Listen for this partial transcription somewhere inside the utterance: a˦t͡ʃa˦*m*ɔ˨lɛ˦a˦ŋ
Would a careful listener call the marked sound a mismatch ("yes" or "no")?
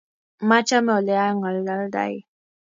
no